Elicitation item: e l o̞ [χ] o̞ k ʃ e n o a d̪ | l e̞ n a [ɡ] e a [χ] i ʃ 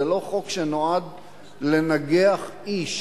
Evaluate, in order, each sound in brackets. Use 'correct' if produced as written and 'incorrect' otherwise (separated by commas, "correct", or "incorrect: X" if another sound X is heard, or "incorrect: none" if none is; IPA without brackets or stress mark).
correct, correct, correct